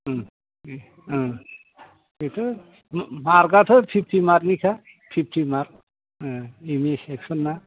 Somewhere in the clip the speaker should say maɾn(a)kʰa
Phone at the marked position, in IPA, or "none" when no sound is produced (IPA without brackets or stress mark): i